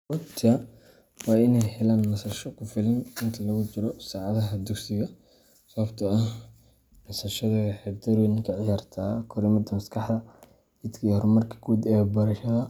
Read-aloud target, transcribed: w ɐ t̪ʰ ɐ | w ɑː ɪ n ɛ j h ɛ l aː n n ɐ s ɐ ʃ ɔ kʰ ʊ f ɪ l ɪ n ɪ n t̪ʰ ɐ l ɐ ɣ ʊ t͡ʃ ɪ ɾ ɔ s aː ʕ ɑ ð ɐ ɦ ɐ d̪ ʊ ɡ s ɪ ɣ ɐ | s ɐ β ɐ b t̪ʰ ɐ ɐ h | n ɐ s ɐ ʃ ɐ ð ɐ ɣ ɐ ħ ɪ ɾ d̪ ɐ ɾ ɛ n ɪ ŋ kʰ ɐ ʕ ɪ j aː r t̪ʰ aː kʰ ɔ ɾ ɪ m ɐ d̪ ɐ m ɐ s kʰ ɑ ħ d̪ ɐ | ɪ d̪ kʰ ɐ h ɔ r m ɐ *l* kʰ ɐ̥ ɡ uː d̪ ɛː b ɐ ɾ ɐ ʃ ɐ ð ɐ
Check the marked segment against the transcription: incorrect: r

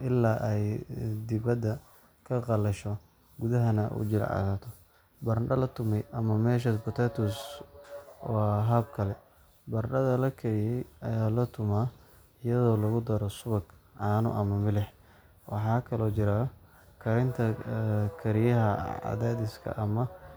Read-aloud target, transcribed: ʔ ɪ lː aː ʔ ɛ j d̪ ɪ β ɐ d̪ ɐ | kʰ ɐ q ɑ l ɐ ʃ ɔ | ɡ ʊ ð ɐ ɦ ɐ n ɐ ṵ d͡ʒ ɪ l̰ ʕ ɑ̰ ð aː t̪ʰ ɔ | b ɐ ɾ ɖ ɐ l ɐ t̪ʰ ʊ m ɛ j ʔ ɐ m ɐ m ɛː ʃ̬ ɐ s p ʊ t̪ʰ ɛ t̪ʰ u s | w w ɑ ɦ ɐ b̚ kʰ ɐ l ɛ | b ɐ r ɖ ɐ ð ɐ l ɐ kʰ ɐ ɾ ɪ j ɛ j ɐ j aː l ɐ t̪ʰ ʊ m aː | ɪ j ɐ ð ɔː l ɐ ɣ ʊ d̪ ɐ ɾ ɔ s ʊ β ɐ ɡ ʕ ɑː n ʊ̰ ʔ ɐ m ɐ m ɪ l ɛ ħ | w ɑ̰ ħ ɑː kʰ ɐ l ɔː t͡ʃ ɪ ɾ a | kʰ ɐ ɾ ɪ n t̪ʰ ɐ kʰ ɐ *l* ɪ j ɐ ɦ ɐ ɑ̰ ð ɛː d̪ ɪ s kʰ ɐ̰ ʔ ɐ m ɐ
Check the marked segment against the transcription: incorrect: ɾ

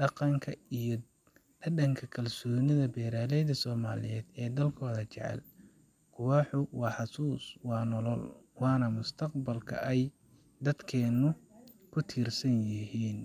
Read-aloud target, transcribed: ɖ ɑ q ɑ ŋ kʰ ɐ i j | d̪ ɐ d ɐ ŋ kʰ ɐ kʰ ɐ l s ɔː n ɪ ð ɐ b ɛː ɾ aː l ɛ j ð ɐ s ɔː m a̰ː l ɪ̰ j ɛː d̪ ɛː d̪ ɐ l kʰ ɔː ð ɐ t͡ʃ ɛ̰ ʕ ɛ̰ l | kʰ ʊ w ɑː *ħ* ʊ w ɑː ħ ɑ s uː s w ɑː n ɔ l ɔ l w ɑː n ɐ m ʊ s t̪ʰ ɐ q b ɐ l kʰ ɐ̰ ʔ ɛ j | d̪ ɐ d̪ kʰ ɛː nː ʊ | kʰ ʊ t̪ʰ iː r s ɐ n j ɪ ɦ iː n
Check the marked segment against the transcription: correct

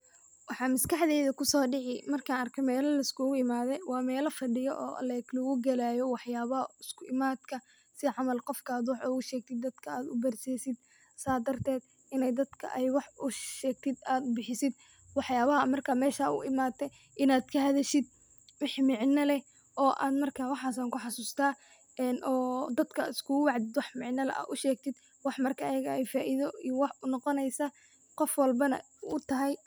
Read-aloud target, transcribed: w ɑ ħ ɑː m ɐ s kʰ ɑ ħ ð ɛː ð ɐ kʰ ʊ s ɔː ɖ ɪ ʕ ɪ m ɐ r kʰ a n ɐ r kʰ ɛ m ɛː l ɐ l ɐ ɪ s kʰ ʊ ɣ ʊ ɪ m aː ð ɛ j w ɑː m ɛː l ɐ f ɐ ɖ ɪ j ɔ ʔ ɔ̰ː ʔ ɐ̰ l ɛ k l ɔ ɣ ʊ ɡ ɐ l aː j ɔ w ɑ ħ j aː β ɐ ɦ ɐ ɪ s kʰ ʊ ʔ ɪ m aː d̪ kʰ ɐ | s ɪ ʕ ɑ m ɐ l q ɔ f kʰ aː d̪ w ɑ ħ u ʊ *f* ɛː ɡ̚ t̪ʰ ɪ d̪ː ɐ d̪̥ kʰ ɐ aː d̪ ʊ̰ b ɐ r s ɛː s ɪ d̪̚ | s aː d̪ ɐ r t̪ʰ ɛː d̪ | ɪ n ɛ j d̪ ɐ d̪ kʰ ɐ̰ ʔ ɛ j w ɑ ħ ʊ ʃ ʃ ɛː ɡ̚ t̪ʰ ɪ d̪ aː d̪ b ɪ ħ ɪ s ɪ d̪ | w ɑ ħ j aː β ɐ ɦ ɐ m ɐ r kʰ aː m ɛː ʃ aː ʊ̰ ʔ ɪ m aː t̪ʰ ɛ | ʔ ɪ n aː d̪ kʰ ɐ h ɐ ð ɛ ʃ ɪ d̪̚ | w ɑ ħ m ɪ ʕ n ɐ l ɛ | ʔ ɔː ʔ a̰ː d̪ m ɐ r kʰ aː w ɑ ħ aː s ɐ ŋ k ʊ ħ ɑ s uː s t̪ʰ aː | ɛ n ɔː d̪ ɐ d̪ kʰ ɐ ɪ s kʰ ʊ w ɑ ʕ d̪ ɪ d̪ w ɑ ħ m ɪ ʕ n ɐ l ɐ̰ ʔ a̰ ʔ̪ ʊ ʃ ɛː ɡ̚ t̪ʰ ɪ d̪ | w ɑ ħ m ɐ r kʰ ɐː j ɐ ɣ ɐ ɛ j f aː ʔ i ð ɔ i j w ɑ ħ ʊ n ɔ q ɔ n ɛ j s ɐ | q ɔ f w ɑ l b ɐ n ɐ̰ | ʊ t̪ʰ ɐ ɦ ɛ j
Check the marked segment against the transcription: incorrect: ʃ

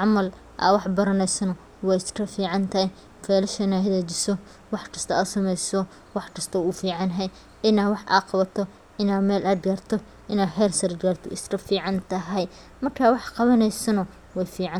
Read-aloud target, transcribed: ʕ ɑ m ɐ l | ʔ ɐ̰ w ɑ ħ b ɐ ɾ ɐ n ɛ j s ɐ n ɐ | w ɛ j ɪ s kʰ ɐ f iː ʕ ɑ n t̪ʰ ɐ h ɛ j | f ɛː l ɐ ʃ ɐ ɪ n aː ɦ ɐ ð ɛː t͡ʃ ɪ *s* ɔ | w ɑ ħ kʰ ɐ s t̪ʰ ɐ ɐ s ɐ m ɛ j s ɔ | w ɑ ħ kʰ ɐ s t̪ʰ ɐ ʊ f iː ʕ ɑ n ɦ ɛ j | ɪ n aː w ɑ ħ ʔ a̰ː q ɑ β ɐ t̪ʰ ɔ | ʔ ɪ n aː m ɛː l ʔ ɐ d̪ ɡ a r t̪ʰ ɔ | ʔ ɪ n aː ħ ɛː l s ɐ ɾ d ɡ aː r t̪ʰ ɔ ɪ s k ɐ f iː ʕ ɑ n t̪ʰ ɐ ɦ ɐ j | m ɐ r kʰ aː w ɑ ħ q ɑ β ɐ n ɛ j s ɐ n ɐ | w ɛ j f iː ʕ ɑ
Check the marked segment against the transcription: correct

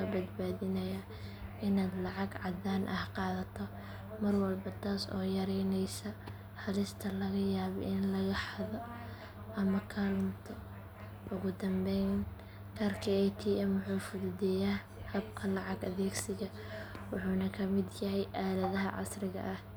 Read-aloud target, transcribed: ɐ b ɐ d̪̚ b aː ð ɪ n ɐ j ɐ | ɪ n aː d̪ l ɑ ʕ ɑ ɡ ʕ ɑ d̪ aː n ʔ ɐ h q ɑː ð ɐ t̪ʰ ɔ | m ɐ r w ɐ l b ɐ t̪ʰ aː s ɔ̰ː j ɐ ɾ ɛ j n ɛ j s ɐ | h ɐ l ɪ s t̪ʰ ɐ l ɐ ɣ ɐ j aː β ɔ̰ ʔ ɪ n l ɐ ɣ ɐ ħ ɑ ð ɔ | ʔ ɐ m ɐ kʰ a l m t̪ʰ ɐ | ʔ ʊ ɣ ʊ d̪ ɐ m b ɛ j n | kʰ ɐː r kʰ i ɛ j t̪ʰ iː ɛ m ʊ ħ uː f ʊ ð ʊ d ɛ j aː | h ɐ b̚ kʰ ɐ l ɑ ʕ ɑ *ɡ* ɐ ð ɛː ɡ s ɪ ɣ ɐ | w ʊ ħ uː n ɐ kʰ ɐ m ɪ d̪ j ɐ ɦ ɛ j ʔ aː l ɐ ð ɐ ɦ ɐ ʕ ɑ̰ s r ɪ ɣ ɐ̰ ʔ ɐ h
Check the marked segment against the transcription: correct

